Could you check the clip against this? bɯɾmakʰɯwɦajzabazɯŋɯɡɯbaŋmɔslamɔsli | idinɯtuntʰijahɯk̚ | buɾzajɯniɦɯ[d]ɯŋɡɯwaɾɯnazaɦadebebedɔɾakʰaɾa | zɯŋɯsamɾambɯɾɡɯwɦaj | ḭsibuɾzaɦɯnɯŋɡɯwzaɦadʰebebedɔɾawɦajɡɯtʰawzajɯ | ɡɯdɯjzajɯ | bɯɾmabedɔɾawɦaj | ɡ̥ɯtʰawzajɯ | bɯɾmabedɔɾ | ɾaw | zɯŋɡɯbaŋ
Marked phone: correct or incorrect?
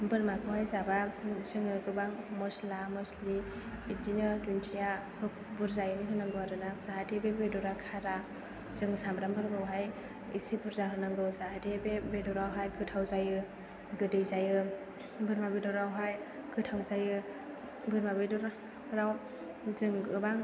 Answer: incorrect: n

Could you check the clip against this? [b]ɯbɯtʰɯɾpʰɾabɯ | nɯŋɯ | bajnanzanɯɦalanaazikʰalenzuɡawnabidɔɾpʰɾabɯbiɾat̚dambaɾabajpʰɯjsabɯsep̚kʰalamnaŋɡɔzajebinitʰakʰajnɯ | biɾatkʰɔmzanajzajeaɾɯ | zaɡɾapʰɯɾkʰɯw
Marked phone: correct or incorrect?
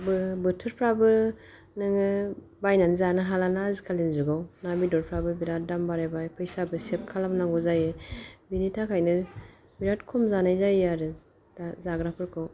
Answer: correct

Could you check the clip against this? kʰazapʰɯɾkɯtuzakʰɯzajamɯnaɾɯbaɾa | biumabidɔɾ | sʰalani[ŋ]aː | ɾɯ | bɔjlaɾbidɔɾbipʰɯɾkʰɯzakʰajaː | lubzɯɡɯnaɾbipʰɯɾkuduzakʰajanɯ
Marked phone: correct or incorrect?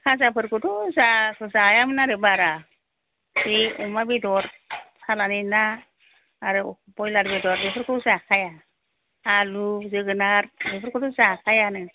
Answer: incorrect: n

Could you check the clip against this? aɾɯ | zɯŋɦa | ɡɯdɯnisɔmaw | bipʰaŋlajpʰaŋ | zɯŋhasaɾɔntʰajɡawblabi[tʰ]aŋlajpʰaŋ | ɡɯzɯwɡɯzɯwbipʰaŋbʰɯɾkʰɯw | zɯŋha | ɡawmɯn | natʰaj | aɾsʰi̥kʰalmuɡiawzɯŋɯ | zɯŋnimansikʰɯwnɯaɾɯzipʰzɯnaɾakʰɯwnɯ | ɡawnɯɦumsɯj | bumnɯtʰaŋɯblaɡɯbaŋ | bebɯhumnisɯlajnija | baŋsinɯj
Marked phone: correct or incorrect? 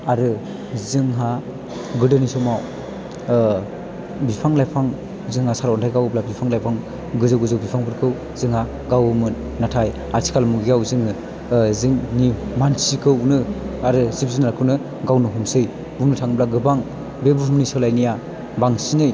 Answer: incorrect: pʰ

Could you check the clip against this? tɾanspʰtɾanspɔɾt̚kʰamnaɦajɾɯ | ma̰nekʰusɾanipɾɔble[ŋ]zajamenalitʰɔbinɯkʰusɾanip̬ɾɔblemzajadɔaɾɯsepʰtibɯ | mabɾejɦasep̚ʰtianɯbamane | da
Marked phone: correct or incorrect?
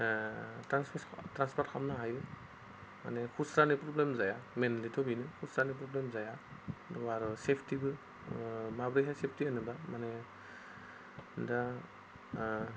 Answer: incorrect: m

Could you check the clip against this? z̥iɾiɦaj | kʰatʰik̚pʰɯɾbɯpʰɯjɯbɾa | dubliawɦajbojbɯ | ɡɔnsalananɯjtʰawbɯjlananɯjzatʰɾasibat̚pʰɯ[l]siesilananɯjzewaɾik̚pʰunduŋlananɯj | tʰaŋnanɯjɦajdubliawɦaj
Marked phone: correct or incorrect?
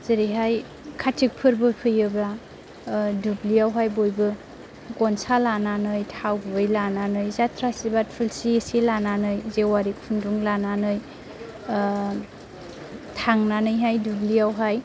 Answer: correct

